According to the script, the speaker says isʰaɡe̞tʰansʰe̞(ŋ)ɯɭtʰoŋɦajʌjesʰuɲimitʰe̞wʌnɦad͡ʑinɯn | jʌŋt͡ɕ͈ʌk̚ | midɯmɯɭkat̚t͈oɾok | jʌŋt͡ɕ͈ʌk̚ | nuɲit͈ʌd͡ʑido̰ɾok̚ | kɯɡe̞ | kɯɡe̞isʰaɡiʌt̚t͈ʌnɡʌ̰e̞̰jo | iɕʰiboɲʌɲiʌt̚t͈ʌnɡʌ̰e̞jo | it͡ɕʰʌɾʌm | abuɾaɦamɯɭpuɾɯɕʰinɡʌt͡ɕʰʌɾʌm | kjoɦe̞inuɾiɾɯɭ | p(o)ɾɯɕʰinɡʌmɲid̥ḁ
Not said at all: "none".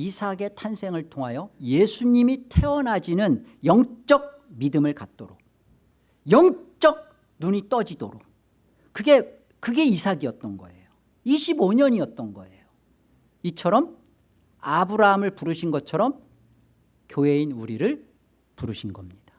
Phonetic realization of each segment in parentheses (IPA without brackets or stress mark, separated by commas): ŋ, u